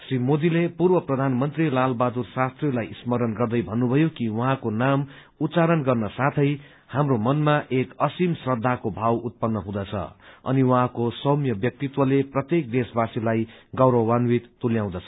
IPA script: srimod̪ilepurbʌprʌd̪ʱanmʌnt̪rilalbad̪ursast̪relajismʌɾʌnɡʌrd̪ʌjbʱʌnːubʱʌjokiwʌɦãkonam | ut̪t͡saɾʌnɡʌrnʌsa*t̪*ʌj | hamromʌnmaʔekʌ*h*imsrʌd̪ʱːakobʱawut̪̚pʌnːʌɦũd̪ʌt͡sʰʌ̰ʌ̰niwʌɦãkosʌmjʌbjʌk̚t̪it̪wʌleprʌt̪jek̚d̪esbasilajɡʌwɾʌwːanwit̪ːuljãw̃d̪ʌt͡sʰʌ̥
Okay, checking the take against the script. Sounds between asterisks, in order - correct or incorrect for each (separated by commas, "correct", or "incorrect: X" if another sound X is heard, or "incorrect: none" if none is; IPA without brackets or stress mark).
incorrect: t̪ʰ, incorrect: s